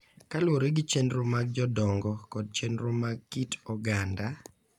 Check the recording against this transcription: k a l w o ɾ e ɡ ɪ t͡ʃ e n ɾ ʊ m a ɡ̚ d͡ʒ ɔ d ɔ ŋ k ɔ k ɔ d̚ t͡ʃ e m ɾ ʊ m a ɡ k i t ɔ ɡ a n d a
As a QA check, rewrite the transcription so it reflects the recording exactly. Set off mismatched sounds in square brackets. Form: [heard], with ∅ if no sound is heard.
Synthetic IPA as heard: k a l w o ɾ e ɡ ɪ t͡ʃ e n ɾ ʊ m a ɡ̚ d͡ʒ ɔ d ɔ ŋ [ɡ] ɔ k ɔ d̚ t͡ʃ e [n] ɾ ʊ m a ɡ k i t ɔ ɡ a n d a